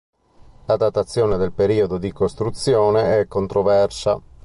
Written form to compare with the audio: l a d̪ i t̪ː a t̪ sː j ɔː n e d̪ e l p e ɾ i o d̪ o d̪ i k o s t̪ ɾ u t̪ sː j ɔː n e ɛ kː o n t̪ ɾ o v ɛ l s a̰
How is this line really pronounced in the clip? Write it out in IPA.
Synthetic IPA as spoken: l a d̪ a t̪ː a t̪ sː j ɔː n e d̪ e l p e ɾ iː o d̪ o d̪ i k o s t̪ ɾ u t̪ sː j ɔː n e ɛ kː o n t̪ ɾ o v ɛ r s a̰